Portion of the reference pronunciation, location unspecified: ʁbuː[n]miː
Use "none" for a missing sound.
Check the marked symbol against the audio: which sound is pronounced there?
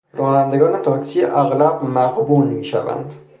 n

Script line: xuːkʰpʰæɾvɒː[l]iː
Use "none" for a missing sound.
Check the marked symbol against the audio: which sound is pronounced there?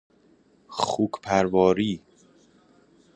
ɾ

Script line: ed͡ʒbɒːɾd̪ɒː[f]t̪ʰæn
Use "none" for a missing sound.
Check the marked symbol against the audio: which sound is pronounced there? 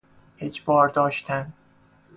ʃ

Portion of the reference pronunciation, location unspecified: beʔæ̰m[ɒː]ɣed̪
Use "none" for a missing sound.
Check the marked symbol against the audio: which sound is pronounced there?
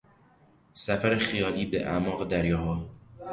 ɒː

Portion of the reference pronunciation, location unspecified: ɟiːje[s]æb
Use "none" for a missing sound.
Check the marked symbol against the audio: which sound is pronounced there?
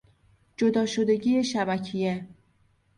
ʃ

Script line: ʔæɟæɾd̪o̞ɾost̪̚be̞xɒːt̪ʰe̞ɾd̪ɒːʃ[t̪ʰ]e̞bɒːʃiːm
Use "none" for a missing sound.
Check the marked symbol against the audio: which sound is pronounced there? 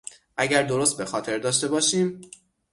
t̪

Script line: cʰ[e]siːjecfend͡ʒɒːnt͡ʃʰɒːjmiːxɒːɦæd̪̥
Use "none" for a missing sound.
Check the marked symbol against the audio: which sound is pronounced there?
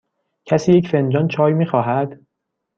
æ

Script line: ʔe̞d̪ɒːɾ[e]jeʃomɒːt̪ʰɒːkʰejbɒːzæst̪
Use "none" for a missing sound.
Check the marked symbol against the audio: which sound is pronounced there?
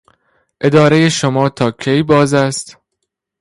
e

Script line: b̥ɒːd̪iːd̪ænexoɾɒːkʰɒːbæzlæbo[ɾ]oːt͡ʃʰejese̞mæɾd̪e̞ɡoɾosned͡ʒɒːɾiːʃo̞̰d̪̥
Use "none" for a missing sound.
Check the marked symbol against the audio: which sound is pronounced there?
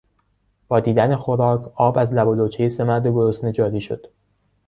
l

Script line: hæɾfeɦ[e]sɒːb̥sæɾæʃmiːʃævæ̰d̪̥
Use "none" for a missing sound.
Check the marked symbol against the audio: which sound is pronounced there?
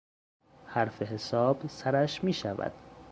e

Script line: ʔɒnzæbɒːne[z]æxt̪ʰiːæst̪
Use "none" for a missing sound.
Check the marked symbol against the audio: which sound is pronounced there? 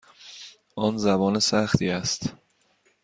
s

